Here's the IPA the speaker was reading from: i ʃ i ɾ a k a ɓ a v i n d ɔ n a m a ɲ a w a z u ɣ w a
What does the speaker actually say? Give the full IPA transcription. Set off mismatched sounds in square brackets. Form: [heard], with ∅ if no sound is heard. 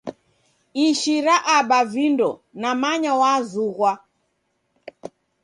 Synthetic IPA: i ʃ i ɾ a [ʔ] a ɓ a v i n d ɔ n a m a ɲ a w a z u ɣ w a